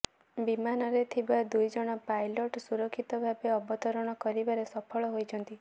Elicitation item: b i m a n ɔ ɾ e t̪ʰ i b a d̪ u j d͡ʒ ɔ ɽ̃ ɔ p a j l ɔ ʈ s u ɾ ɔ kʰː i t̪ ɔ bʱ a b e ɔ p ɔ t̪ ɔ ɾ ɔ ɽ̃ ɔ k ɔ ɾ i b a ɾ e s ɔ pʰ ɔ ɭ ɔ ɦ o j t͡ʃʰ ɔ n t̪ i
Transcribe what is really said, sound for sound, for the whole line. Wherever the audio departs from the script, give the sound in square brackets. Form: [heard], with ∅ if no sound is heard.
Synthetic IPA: b i m a n ɔ ɾ e t̪ʰ i b a d̪ u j d͡ʒ ɔ ɽ̃ ɔ p a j l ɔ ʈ s u ɾ ɔ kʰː i t̪ ɔ bʱ a b e ɔ [b] ɔ t̪ ɔ ɾ ɔ ɽ̃ ɔ k ɔ ɾ i b a ɾ e s ɔ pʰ ɔ ɭ ɔ ɦ o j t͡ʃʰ ɔ n t̪ i